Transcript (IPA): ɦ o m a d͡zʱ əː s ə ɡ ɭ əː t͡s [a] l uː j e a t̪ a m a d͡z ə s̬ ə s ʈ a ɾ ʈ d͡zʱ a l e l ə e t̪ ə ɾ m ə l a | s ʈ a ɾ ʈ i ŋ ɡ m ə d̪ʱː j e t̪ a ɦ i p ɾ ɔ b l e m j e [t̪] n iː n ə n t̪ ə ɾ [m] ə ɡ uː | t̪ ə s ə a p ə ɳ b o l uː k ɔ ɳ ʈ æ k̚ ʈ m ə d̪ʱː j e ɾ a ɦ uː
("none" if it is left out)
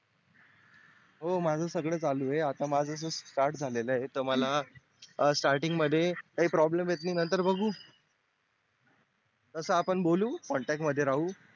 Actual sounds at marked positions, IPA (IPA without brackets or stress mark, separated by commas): a, t̪, b